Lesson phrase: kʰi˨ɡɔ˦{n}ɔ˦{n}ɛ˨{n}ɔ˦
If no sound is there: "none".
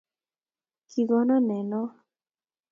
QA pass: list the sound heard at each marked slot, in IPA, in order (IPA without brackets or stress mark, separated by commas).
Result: n, n, n